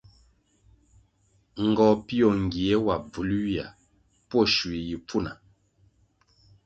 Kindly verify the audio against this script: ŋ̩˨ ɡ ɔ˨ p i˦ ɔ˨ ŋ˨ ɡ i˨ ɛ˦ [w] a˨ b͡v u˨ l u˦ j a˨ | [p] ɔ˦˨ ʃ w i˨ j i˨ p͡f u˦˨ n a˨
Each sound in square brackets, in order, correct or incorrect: correct, correct

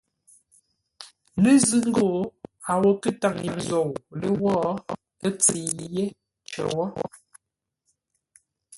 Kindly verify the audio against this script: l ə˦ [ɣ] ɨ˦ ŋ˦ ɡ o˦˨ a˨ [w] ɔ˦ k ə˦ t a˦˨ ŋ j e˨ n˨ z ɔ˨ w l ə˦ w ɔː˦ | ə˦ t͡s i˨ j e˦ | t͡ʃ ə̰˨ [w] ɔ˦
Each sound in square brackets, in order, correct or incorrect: incorrect: z, correct, correct

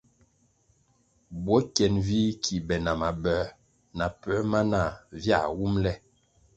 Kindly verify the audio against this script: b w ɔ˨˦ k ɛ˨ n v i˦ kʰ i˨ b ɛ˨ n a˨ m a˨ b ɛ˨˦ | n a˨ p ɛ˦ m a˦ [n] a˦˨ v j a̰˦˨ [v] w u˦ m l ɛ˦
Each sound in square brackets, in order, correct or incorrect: correct, incorrect: none

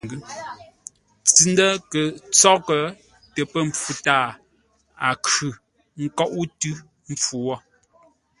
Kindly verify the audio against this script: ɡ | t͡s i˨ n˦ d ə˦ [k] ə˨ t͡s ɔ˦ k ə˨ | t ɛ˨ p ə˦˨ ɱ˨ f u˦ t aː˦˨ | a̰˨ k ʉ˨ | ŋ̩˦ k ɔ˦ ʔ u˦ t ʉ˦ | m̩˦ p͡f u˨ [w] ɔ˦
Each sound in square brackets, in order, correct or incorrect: correct, correct

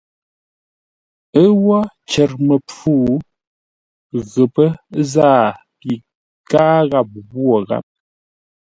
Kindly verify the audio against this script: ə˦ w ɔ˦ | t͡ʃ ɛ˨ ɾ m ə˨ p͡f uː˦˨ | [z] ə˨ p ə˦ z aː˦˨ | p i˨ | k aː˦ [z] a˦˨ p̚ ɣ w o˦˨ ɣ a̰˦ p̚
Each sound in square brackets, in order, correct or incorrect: incorrect: ɣ, incorrect: ɣ

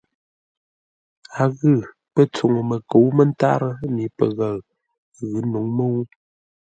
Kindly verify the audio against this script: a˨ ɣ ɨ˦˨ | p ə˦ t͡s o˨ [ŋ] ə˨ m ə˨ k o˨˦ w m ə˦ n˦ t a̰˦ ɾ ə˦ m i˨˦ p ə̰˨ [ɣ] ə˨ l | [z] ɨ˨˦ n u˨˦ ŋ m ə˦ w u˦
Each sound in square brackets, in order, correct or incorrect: correct, correct, incorrect: ɣ

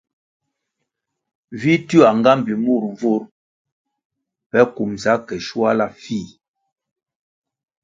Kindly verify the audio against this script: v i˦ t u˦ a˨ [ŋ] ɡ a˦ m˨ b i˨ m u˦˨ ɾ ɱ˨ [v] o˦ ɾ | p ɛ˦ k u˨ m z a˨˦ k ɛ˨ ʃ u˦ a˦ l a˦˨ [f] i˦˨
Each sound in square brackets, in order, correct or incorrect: correct, correct, correct

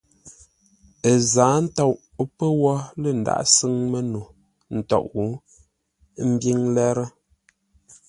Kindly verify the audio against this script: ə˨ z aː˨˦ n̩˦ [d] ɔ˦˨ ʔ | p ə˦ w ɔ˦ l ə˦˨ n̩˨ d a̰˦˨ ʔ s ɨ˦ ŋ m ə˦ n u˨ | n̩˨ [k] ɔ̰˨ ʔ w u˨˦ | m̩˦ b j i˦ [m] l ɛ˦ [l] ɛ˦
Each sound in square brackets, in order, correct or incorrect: incorrect: t, incorrect: t, incorrect: ŋ, incorrect: ɾ

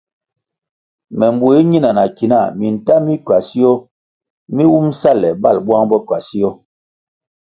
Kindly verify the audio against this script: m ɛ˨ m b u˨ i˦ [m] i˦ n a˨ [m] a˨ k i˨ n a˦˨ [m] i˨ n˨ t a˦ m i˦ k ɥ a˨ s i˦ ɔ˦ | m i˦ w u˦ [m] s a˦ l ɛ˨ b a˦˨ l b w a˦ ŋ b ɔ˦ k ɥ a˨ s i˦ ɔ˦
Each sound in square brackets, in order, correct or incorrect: incorrect: ɲ, incorrect: n, correct, correct

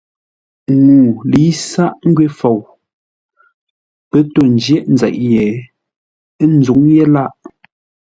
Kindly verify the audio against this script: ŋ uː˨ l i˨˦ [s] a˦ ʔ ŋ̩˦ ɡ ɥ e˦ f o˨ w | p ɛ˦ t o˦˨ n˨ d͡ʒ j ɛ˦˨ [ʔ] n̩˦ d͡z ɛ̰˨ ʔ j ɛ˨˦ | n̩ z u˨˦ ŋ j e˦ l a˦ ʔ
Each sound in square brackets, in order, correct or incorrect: correct, correct

